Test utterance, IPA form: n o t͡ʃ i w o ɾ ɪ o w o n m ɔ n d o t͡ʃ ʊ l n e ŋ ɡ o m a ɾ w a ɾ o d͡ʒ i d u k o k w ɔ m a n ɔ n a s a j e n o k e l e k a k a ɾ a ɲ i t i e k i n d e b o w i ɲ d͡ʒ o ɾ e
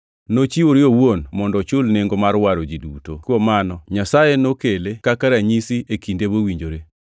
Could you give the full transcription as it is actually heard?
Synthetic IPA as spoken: n o t͡ʃ i w o ɾ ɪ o w o n m ɔ n d ɔ t͡ʃ ʊ l n e ŋ ɡ o m a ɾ w a ɾ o d͡ʒ i d u t o k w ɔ m a n ɔ ɲ a s a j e n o k e l e k a k a ɾ a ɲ i s i e k i n d e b o w i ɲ d͡ʒ o ɾ e